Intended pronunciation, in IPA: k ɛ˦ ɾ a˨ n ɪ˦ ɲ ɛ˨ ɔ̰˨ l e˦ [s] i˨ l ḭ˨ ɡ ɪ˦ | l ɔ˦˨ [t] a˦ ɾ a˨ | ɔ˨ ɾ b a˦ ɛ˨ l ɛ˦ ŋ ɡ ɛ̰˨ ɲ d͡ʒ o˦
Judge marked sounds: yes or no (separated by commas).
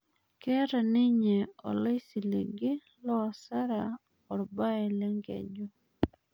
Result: yes, no